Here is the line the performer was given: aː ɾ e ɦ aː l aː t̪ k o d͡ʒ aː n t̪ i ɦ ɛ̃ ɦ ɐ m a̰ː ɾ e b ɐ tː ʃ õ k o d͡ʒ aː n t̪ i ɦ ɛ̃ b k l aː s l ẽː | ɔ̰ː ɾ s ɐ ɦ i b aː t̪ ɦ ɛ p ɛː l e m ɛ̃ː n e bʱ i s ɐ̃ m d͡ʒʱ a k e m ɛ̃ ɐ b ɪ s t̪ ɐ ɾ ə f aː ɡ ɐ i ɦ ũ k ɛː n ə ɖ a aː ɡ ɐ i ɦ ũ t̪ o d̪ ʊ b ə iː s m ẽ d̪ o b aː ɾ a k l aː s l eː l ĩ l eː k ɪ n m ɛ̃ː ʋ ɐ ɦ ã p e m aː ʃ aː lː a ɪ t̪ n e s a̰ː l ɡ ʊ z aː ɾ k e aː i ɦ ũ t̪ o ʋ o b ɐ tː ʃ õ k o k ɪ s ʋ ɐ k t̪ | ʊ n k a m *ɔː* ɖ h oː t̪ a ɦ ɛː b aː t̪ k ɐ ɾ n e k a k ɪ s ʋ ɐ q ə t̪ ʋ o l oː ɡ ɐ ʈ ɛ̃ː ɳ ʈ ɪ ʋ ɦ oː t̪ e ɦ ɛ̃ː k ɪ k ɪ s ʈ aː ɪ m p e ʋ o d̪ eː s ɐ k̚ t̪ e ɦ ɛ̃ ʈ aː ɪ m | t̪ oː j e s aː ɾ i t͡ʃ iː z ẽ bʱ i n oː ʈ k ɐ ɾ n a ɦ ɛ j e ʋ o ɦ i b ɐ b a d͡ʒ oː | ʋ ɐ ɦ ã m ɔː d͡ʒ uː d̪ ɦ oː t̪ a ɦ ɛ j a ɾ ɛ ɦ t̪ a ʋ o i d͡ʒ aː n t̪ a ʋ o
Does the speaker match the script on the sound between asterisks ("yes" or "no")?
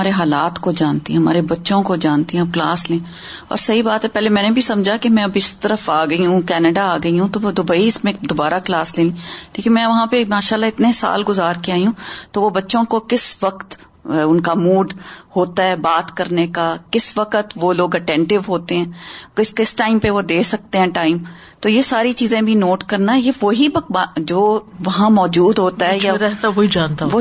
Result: no